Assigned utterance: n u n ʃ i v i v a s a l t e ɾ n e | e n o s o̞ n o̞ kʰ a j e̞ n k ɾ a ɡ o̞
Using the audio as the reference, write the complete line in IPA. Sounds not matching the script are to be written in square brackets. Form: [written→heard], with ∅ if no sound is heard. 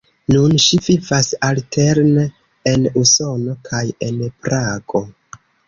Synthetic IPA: n u n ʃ i v i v a s a l t e ɾ n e | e n [o→u] s o̞ n o̞ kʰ a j e̞ n [k→p] ɾ a ɡ o̞